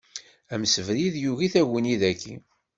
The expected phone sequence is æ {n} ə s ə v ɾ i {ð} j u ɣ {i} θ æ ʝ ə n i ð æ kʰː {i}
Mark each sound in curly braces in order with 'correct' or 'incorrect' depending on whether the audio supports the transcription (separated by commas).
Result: incorrect, correct, correct, correct